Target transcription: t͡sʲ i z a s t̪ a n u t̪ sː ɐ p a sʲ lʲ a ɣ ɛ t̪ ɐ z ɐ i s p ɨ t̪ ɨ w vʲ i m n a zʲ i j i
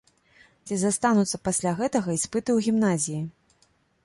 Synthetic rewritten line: t͡sʲ i z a s t̪ a n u t̪ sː ɐ p a sʲ lʲ a ɣ ɛ t̪ ɐ ɣ ɐ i s p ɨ t̪ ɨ w ɣʲ i m n a zʲ i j i